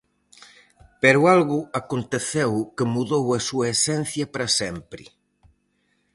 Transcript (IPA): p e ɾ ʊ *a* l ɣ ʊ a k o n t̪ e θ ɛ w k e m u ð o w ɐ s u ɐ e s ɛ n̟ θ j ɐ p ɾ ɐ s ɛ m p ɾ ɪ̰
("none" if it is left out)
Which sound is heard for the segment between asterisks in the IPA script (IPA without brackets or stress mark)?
a